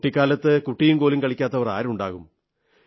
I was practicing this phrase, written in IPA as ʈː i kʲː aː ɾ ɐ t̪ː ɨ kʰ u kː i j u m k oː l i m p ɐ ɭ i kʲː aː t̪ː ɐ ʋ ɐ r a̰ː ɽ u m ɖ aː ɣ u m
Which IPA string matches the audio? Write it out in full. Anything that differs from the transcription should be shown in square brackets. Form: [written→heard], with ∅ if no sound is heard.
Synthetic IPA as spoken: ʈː i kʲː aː [ɾ→l] ɐ t̪ː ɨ [kʰ→k] u [kː→ʈː] i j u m k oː l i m [p→k] ɐ ɭ i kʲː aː t̪ː ɐ ʋ ɐ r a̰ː [ɽ→ɾ] u [m→ɳ] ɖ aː ɣ u m

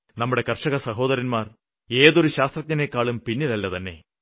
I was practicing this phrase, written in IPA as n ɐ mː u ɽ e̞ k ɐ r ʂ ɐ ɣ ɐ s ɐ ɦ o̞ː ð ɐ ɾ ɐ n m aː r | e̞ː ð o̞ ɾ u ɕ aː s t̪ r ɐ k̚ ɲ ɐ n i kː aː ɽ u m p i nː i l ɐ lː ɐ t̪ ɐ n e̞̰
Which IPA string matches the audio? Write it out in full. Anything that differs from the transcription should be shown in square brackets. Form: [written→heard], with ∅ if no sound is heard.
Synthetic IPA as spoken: n ɐ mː u ɽ e̞ k ɐ r ʂ ɐ ɣ ɐ s ɐ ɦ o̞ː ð ɐ ɾ ɐ n m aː r | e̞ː ð o̞ ɾ u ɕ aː s t̪ r ɐ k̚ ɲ ɐ n [i→e] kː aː [ɽ→ɭ] u m p i nː i l ɐ lː ɐ t̪ ɐ [n→nː] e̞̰

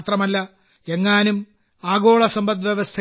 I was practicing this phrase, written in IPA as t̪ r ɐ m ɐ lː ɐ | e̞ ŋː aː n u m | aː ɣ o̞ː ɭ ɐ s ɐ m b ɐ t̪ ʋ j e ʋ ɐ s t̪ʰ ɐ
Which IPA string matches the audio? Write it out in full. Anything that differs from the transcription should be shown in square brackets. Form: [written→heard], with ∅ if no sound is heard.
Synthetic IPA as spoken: t̪ r ɐ m ɐ lː ɐ | e̞ ŋː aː n u m | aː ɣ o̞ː ɭ ɐ s ɐ m b ɐ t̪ ʋ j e ʋ ɐ s t̪ʰ ɐ

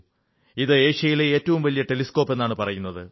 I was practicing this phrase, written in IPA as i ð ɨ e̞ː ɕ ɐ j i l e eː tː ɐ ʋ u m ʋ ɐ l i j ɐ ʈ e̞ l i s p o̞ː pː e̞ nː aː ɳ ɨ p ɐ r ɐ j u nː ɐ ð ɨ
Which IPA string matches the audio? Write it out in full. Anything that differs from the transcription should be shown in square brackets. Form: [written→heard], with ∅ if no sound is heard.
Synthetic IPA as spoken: i ð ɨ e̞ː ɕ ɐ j i l e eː tː ɐ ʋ u m ʋ ɐ l i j ɐ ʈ e̞ l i s [p→k] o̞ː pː e̞ nː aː ɳ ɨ p ɐ r ɐ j u nː ɐ ð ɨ

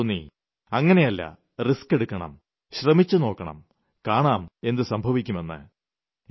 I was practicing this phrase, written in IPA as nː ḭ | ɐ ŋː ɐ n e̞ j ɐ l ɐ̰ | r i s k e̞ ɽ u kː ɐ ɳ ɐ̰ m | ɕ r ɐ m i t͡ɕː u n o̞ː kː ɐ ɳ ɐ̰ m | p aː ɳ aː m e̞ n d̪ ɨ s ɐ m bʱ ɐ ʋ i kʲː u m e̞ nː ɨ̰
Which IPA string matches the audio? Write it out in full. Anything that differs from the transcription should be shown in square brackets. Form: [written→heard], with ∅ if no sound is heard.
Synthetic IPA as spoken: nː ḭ | ɐ ŋː ɐ n e̞ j ɐ [l→lː] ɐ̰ | r i s k e̞ ɽ u kː ɐ ɳ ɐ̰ m | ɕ r ɐ m i t͡ɕː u n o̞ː kː ɐ ɳ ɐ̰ m | [p→k] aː ɳ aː m e̞ n d̪ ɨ s ɐ m bʱ ɐ ʋ i kʲː u m e̞ nː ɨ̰

